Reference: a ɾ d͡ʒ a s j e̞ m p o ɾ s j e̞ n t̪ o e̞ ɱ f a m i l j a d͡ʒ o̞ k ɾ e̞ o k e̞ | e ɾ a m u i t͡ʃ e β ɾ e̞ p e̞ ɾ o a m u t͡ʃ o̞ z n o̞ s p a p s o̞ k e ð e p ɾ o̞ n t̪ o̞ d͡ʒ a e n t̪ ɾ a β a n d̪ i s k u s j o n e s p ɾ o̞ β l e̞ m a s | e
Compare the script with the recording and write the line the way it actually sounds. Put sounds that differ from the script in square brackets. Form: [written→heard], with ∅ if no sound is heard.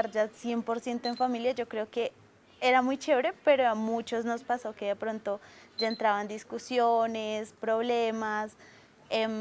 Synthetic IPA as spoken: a ɾ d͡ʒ a s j e̞ m p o ɾ s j e̞ n t̪ o e̞ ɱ f a m i l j a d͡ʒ o̞ k ɾ e̞ o k e̞ | e ɾ a m u [i→j] t͡ʃ e β ɾ e̞ p e̞ ɾ o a m u t͡ʃ o̞ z n o̞ s p a [p→∅] s o̞ k e ð e p ɾ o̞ n t̪ o̞ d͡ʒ a e n t̪ ɾ a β a n d̪ i s k u s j o n e s p ɾ o̞ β l e̞ m a s | e

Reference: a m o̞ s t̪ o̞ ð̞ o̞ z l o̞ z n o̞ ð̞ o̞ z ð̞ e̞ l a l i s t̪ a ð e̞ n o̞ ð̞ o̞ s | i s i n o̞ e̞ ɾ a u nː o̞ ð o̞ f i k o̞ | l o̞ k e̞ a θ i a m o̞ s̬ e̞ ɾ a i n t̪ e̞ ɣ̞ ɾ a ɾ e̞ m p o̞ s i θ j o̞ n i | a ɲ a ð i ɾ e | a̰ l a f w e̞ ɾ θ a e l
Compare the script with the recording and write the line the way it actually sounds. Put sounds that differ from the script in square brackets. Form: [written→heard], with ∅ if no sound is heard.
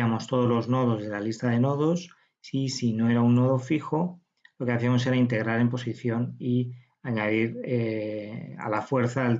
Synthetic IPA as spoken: a m o̞ s t̪ o̞ ð̞ o̞ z l o̞ z n o̞ ð̞ o̞ z ð̞ e̞ l a l i s t̪ a ð e̞ n o̞ ð̞ o̞ s | i s i n o̞ e̞ ɾ a u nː o̞ ð o̞ f i [k→x] o̞ | l o̞ k e̞ a θ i a m o̞ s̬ e̞ ɾ a i n t̪ e̞ ɣ̞ ɾ a ɾ e̞ m p o̞ s i θ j o̞ n i | a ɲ a ð i ɾ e | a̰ l a f w e̞ ɾ θ a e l

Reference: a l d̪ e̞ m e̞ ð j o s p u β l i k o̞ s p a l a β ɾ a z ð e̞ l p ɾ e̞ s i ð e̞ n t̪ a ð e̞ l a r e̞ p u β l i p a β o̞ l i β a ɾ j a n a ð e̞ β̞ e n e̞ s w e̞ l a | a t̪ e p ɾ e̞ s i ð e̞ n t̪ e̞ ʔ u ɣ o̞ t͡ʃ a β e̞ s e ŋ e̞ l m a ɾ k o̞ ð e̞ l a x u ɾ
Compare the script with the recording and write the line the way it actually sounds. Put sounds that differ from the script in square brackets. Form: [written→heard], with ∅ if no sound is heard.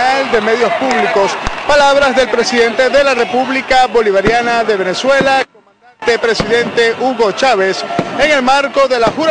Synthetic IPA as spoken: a l d̪ e̞ m e̞ ð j o s p u β l i k o̞ s p a l a β ɾ a z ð e̞ l p ɾ e̞ s i ð e̞ n t̪ [a→e] ð e̞ l a r e̞ p u β l i [p→k] a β o̞ l i β a ɾ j a n a ð e̞ β̞ e n e̞ s w e̞ l a | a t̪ e p ɾ e̞ s i ð e̞ n t̪ e̞ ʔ u ɣ o̞ t͡ʃ a β e̞ s e ŋ e̞ l m a ɾ k o̞ ð e̞ l a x u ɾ

